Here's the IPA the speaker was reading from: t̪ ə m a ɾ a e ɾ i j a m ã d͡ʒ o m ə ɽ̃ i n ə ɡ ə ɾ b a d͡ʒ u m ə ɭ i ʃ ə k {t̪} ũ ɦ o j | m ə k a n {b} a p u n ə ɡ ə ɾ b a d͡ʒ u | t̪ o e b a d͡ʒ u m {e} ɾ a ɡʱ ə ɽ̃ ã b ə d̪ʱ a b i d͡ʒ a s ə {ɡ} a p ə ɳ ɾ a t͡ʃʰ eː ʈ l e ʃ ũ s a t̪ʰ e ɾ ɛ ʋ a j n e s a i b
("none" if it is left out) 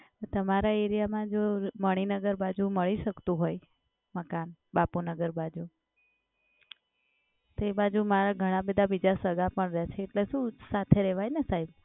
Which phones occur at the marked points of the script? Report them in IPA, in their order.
t̪, b, a, ɡ

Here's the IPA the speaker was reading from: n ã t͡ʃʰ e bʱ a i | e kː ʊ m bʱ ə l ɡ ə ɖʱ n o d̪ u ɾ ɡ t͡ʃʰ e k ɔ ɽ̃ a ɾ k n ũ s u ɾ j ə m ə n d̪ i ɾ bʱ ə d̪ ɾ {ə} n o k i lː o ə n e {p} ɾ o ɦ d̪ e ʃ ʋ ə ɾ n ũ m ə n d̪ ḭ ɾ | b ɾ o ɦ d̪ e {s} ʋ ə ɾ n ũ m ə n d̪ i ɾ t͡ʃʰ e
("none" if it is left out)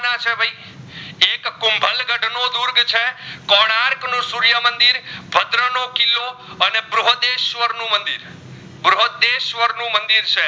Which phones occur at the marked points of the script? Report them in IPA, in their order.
ə, b, ʃ

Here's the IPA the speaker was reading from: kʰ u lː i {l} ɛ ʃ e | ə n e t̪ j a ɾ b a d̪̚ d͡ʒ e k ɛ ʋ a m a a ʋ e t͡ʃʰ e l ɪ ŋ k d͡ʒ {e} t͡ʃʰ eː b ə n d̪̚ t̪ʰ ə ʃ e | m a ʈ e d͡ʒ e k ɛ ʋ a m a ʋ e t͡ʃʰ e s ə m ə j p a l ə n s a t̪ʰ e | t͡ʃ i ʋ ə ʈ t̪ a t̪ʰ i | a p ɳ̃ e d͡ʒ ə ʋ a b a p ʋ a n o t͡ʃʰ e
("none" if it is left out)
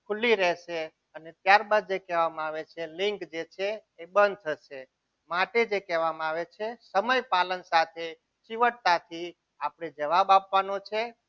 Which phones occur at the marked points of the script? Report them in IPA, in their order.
ɾ, e

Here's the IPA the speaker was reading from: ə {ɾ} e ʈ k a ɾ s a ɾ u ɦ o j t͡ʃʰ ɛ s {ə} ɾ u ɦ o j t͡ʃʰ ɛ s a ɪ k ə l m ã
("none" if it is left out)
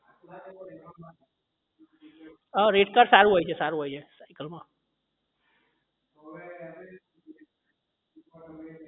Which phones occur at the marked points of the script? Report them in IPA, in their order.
ɾ, a

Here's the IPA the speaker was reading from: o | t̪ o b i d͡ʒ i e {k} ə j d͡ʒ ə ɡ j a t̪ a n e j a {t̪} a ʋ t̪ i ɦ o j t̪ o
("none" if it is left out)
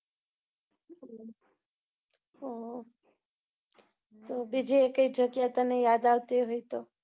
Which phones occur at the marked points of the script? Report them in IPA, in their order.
k, d̪

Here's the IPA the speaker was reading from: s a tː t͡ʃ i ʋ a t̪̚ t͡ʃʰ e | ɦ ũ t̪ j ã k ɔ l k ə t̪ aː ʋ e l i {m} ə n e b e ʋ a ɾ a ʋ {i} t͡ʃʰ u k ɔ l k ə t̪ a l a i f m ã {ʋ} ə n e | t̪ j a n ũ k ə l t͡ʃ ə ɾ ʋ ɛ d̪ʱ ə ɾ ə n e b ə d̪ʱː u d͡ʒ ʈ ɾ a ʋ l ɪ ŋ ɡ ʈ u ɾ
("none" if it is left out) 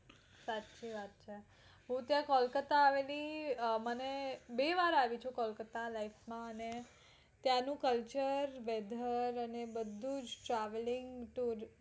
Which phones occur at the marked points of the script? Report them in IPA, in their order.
m, i, none

